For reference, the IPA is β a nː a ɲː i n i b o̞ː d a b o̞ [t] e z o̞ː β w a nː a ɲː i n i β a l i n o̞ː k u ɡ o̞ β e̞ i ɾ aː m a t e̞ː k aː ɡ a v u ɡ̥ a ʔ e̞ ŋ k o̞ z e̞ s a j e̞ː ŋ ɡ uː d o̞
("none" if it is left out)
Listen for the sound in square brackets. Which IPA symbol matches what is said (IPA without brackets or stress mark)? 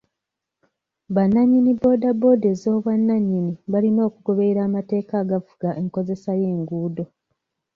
d